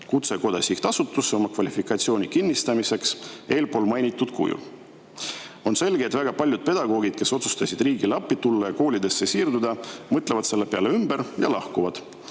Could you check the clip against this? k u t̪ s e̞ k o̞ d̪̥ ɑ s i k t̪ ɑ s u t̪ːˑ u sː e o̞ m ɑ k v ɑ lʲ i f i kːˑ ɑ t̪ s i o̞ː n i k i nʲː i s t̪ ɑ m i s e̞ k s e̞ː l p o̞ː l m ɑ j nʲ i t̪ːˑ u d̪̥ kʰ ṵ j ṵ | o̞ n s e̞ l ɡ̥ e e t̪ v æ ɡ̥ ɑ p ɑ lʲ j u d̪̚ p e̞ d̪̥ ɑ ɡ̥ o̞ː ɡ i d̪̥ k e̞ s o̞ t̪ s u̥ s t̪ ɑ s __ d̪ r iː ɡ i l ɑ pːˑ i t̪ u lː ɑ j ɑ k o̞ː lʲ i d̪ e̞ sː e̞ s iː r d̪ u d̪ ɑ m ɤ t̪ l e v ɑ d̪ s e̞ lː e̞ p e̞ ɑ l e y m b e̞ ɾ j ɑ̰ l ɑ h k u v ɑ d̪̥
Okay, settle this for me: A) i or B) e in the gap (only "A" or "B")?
A